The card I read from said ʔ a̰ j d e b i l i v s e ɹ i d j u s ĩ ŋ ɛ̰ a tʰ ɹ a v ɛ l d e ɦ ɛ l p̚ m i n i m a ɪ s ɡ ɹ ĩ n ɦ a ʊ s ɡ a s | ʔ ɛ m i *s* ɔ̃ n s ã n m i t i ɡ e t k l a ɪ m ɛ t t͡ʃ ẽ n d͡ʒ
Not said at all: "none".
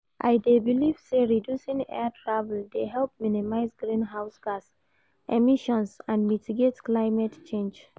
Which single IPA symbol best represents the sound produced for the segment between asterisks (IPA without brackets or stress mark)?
ʃ